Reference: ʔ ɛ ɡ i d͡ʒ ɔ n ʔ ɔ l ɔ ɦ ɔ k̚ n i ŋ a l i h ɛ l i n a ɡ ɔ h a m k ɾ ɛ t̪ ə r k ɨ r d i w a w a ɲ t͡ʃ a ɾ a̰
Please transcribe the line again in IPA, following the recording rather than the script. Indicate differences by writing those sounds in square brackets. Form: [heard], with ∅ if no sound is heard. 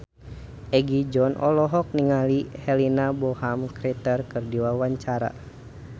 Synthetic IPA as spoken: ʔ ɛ ɡ i d͡ʒ ɔ n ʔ ɔ l ɔ ɦ ɔ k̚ n i ŋ a l i h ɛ l i n a [b] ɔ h a m k ɾ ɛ t̪ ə r k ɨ r d i w a w a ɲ t͡ʃ a ɾ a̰